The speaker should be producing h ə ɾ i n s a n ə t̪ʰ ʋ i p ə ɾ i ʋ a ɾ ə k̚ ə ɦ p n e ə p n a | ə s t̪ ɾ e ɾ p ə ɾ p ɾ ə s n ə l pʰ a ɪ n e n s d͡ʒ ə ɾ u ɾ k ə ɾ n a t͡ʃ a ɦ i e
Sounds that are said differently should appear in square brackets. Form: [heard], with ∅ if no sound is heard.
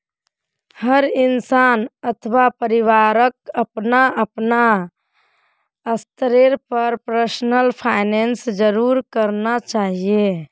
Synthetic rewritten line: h ə ɾ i n s a n ə t̪ʰ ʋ [a] p ə ɾ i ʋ a ɾ ə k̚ ə [∅] p n [a] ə p n a | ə s t̪ ɾ e ɾ p ə ɾ p ɾ ə s n ə l pʰ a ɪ n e n s d͡ʒ ə ɾ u ɾ k ə ɾ n a t͡ʃ a ɦ i e